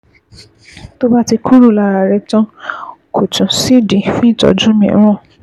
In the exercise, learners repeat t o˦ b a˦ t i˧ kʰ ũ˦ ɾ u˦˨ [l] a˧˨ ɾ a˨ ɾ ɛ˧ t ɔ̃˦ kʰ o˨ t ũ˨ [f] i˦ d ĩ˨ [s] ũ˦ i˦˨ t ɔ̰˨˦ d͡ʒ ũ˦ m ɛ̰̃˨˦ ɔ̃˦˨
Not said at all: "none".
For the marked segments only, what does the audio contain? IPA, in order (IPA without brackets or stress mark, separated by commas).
l, s, f